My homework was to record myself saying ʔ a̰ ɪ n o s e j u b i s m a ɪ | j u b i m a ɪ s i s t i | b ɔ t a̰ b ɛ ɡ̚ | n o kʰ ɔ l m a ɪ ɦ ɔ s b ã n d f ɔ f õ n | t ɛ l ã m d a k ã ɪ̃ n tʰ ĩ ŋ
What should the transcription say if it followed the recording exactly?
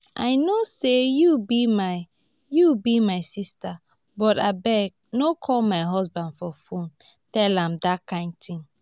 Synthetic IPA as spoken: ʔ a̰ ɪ n o s e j u b i m a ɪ | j u b i m a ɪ s i s t a | b ɔ t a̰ b ɛ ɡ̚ | n o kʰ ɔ l m a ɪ ɦ ɔ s b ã n d f ɔ f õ n | t ɛ l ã m d a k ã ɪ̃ n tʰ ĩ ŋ